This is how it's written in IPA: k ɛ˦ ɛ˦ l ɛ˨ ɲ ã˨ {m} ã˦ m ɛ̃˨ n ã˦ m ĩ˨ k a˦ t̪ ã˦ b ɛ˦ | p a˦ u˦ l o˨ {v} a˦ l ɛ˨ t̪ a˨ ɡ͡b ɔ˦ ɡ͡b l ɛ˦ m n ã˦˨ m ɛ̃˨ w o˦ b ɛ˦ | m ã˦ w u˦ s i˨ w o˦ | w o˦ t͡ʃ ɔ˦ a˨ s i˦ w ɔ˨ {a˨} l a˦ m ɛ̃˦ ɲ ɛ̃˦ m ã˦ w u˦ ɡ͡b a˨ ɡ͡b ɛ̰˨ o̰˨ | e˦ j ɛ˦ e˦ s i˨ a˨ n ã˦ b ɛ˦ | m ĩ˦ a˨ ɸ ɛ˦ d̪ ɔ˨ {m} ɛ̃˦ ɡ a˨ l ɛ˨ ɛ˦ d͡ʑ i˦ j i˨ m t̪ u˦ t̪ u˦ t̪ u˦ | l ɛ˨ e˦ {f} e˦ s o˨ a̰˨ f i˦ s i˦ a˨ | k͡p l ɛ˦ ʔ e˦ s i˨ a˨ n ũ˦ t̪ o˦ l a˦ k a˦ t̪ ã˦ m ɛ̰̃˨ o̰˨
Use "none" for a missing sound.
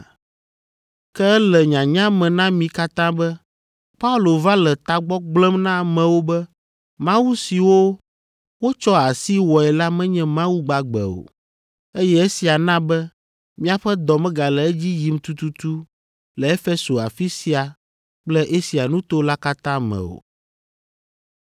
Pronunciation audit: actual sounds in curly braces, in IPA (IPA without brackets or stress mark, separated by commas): ɲ, v, ɛ˨, m, f